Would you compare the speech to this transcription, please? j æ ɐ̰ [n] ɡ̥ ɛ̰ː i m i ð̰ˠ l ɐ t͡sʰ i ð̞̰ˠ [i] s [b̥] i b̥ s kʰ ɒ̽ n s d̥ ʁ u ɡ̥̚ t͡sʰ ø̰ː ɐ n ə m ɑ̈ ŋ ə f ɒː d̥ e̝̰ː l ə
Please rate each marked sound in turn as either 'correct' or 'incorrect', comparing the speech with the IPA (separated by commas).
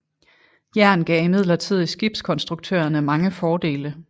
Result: correct, correct, incorrect